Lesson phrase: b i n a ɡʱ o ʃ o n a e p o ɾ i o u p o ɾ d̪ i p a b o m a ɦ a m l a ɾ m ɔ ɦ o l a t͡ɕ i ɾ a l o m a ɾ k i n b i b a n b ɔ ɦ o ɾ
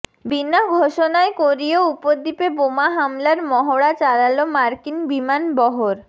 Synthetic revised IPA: b i n a ɡʱ o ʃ o n a e k o ɾ i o u p o ɾ d̪ i p e b o m a ɦ a m l a ɾ m ɔ ɦ o ɽ a t͡ɕ a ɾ a l o m a ɾ k i n b i m a n b ɔ ɦ o ɾ